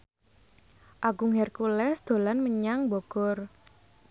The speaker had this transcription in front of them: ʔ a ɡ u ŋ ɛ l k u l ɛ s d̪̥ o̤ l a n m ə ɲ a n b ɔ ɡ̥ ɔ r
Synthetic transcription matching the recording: ʔ a ɡ u ŋ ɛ r k u l ɛ s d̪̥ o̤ l a n m ə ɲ a ŋ b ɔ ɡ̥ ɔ r